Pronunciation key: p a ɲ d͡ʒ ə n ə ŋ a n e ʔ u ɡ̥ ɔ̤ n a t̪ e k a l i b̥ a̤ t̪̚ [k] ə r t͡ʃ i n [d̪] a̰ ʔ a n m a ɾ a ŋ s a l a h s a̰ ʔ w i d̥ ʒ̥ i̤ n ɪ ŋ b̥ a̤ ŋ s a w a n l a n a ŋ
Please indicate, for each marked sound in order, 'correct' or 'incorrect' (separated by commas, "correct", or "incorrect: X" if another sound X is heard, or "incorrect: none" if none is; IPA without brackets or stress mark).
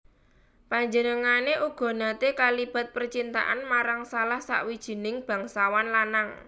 incorrect: p, incorrect: t̪